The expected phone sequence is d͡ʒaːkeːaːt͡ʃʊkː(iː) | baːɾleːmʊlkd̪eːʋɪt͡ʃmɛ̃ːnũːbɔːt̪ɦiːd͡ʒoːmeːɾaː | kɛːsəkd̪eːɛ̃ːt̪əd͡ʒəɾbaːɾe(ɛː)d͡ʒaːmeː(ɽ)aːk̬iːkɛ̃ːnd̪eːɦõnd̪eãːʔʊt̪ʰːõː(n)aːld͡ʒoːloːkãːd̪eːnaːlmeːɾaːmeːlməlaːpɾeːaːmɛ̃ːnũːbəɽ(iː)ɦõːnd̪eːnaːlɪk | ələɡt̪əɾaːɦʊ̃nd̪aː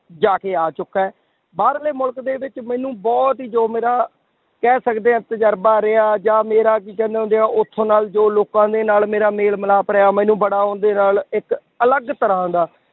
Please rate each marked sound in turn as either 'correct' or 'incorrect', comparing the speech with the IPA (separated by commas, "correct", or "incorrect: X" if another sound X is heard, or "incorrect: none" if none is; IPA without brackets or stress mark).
incorrect: ɛː, incorrect: aː, incorrect: ɾ, correct, incorrect: aː